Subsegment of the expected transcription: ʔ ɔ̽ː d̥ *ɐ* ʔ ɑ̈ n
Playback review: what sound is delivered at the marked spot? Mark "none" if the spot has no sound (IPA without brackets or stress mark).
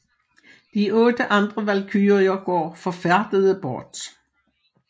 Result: ə